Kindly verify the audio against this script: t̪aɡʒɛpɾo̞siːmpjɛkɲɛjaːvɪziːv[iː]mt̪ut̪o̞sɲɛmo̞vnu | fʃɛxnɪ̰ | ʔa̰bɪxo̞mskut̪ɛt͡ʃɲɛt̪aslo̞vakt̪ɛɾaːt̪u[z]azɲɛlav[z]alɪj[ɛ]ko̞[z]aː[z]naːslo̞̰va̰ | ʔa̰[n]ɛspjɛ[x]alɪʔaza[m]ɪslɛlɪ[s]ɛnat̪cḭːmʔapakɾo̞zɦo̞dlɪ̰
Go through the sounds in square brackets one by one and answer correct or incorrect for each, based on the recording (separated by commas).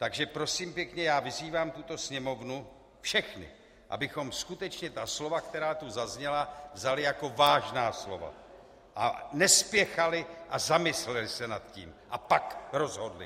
incorrect, correct, correct, incorrect, incorrect, incorrect, correct, correct, correct, correct